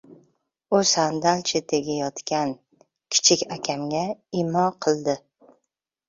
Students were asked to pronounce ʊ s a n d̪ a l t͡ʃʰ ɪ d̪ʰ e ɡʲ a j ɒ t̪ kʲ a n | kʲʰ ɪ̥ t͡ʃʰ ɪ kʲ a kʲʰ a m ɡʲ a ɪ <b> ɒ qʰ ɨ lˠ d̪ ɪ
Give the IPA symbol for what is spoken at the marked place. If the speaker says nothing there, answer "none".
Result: m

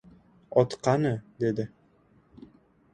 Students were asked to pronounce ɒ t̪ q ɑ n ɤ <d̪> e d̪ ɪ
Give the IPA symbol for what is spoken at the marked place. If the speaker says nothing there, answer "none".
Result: d̪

